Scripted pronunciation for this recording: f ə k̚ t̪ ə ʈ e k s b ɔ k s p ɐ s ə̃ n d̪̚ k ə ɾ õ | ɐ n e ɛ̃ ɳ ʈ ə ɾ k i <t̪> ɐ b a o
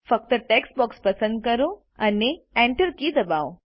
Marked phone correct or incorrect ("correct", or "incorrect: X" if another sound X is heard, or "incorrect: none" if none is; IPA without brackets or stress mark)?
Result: incorrect: d̪